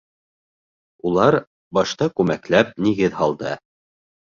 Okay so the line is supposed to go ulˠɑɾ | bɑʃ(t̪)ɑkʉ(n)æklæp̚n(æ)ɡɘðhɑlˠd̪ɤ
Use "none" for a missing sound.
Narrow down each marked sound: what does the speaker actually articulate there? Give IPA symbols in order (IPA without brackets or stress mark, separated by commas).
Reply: t̪, m, i